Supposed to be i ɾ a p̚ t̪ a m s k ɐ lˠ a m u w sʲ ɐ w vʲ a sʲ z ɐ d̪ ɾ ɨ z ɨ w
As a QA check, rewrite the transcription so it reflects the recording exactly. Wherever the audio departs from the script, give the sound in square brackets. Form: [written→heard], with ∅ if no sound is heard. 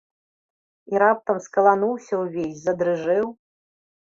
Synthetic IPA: i ɾ a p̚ t̪ [a→ɐ] m s k ɐ lˠ a [m→n] u w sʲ ɐ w vʲ [a→e] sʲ z ɐ d̪ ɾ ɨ [z→ʐ] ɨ w